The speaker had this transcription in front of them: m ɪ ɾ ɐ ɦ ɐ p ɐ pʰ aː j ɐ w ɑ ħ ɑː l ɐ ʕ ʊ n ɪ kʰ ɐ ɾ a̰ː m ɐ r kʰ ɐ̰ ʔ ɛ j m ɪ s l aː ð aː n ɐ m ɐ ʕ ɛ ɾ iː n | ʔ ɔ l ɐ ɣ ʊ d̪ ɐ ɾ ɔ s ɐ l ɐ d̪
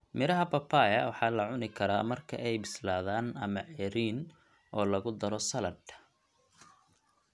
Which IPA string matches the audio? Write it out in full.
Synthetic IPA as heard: m ɪ ɾ ɐ ɦ ɐ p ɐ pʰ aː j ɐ w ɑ ħ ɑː l ɐ ʕ ʊ n ɪ kʰ ɐ ɾ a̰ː m ɐ r kʰ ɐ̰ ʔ ɛ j b ɪ s l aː ð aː n ɐ m ɐ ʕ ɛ ɾ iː n | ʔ ɔː l ɐ ɣ ʊ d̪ ɐ ɾ ɔ s ɐ l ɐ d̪

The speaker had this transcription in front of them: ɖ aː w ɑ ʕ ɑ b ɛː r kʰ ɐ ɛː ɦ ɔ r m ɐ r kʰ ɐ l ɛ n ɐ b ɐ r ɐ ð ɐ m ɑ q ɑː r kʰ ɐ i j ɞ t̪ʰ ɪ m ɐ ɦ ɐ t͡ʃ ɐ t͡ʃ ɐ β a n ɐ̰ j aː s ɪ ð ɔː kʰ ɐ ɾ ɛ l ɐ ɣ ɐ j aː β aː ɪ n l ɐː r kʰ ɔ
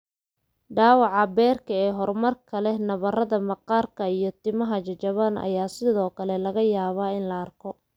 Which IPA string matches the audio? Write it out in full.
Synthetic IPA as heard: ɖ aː w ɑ ʕ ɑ b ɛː r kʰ ɐ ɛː ɦ ɔ r m ɐ r kʰ ɐ l ɛ n ɐ β ɐ r ɐ ð ɐ m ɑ q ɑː r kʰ ɐ i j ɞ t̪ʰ ɪ m ɐ ɦ ɐ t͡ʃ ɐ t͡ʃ ɐ β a n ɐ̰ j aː s ɪ ð ɔː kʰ ɐ l ɛ l ɐ ɣ ɐ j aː β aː ɪ n l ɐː r kʰ ɔ

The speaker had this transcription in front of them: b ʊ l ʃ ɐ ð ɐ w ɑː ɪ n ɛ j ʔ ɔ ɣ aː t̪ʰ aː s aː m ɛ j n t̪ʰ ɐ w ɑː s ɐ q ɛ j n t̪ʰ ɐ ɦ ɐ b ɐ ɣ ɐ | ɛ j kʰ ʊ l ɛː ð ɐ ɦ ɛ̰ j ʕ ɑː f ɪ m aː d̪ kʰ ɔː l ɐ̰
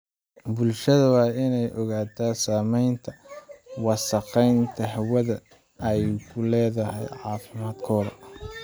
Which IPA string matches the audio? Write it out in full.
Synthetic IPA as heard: b ʊ l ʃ ɐ ð ɐ w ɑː ɪ n ɛ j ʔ ɔ ɣ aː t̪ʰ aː s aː m ɛ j n t̪ʰ ɐ w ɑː s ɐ q ɛ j n t̪ʰ ɐ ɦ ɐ w ɐ ð ɐ | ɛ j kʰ ʊ l ɛː ð ɐ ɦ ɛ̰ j ʕ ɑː f ɪ m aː d̪ kʰ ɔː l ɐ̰

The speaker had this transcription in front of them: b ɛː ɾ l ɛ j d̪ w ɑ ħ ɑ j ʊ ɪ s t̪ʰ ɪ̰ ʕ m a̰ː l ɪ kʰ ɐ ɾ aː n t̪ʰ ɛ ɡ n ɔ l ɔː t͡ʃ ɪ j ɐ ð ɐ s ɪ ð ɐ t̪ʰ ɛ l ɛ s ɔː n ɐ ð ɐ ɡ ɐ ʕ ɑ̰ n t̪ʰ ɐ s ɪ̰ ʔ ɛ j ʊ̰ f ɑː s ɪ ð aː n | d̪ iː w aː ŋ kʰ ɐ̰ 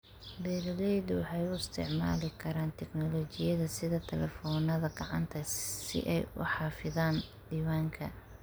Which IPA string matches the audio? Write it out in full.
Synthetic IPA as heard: b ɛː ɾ l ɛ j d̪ w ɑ ħ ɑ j ʊ ɪ s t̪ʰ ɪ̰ ʕ m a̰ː l ɪ kʰ ɐ ɾ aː n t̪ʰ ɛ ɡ n ɔ l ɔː t͡ʃ ɪ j ɐ ð ɐ s ɪ ð ɐ t̪ʰ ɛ l ɛ f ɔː n ɐ ð ɐ ɡ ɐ ʕ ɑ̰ n t̪ʰ ɐ s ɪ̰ ʔ ɛ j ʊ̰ ħ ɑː f ɪ ð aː n | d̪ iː w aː ŋ kʰ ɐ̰

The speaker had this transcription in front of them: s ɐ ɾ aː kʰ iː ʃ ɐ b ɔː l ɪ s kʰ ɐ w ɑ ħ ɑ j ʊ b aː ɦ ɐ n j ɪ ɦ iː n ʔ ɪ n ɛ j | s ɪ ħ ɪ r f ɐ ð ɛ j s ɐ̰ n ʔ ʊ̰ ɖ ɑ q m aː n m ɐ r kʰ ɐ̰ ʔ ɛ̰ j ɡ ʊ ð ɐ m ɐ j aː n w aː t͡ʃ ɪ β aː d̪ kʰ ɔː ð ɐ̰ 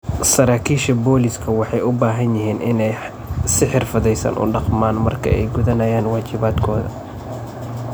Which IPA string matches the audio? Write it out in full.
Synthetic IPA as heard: s ɐ ɾ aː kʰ iː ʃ ɐ b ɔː l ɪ s kʰ ɐ w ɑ ħ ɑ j ʊ b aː ɦ ɐ n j ɪ ɦ iː n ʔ ɪ n ɛ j | s ɪ ħ ɪ r f ɐ ð ɛ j s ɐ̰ n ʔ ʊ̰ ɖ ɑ q m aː n m ɐ r kʰ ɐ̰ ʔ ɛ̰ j ɡ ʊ ð ɐ n ɐ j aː n w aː t͡ʃ ɪ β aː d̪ kʰ ɔː ð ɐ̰

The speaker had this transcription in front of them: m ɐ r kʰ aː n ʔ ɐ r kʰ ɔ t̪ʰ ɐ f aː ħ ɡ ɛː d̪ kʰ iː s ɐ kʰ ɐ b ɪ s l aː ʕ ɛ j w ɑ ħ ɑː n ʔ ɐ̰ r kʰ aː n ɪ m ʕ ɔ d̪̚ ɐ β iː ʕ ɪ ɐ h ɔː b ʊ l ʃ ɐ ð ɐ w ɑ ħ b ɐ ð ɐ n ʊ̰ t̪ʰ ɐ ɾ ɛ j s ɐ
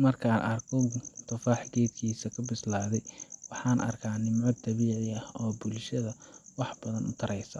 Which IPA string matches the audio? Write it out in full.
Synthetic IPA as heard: m ɐ r kʰ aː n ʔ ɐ r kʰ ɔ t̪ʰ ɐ f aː ħ ɡ ɛː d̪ kʰ iː s ɐ kʰ ɐ b ɪ s l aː ð ɛ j w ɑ ħ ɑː n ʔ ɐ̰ r kʰ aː n ɪ m ʕ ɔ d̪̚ ɐ β iː ʕ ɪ ɐ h ɔː b ʊ l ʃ ɐ ð ɐ w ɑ ħ b ɐ ð ɐ n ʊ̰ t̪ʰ ɐ ɾ ɛ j s ɐ

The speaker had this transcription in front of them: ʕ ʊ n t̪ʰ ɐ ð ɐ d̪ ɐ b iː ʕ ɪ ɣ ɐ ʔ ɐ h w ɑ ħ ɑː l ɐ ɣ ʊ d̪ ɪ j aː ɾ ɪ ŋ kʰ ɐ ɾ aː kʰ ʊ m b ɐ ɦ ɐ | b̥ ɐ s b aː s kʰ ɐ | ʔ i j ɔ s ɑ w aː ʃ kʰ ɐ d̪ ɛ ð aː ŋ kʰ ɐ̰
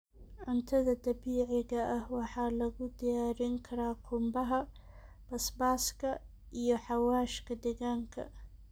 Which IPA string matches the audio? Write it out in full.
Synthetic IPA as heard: ʕ ʊ n t̪ʰ ɐ ð ɐ d̪ ɐ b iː ʕ ɪ ɣ ɐ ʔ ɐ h w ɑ ħ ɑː l ɐ ɣ ʊ d̪ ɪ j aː ɾ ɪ ŋ kʰ ɐ ɾ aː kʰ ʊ m b ɐ ɦ ɐ | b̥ ɐ s b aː s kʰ ɐ | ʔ i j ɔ ħ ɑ w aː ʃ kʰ ɐ d̪ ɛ ɣ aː ŋ kʰ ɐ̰

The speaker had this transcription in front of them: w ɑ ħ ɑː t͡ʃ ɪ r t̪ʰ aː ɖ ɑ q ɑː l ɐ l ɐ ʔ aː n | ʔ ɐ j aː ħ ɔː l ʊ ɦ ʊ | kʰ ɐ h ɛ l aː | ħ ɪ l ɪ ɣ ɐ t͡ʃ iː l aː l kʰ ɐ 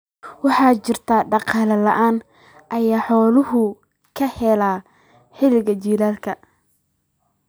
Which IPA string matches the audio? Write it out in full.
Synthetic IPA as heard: w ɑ ħ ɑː t͡ʃ ɪ r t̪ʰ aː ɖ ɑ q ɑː l ɐ l ɐ ʔ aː n | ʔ ɐ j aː ħ ɔː l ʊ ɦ ʊ | kʰ ɐ h ɛ l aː | ħ ɪ l ɪ ɣ ɐ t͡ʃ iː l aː l kʰ ɐ

